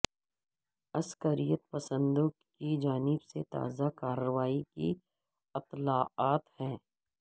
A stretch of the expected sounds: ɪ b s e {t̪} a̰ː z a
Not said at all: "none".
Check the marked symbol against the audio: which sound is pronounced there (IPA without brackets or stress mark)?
t̪